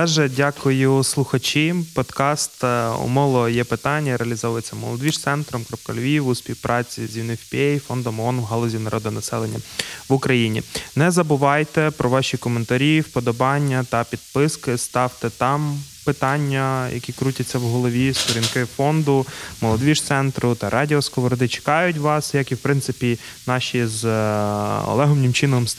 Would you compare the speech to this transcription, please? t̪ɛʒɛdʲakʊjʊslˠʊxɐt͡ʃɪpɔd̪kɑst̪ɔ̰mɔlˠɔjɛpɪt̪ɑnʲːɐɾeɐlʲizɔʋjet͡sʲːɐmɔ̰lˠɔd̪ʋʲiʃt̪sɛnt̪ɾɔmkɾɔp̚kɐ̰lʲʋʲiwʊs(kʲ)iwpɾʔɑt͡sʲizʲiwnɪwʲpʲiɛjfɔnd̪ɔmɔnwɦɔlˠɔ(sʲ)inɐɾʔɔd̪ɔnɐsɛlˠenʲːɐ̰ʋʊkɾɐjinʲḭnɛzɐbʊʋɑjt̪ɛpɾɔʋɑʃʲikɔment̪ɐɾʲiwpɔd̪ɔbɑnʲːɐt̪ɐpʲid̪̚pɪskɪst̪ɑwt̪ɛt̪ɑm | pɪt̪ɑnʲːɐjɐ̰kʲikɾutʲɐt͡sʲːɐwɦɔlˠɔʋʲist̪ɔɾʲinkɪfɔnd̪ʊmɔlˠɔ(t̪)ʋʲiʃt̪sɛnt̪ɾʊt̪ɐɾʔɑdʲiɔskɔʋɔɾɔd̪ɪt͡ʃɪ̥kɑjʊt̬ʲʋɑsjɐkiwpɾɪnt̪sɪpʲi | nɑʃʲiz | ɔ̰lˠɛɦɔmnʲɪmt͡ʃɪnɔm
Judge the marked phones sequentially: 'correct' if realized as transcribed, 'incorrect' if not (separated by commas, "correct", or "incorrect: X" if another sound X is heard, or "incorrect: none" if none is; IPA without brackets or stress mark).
incorrect: pʲ, incorrect: zʲ, incorrect: d̪